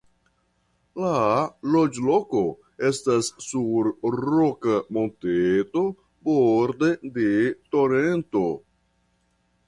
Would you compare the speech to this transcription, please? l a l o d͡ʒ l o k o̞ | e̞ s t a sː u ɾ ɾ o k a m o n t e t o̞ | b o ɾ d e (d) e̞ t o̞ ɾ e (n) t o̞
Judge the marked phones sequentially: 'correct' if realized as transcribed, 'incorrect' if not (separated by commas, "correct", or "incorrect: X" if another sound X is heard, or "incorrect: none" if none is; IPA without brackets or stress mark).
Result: correct, correct